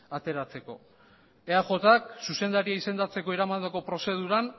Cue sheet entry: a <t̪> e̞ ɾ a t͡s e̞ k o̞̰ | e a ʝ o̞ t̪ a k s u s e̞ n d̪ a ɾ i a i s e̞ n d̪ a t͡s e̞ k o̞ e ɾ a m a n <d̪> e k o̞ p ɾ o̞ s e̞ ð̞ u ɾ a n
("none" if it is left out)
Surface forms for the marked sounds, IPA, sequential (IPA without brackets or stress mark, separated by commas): t̪, d̪